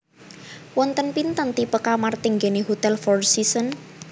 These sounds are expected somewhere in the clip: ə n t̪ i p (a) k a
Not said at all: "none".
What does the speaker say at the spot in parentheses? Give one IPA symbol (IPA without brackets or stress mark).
ə